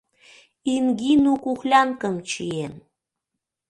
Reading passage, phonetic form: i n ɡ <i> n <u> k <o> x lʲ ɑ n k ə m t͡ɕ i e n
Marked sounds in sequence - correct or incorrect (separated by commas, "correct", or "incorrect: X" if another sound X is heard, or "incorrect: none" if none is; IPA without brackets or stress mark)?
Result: correct, correct, incorrect: u